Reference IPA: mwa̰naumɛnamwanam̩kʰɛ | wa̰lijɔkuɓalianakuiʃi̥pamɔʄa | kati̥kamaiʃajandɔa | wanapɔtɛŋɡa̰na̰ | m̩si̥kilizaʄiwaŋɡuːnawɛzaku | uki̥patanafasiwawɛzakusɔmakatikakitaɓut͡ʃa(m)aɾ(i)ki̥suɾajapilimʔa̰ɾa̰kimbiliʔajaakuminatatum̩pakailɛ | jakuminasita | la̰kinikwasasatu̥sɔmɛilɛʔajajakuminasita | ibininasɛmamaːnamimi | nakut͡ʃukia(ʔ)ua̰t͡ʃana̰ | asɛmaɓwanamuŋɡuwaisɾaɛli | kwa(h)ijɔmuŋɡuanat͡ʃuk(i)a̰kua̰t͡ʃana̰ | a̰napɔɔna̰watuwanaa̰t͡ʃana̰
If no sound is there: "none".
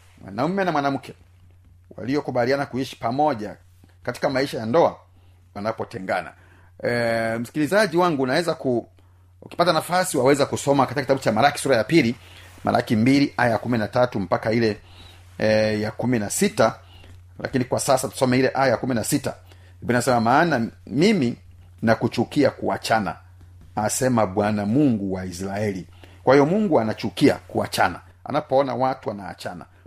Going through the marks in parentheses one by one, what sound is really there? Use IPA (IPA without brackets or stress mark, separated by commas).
m, a, k, h, i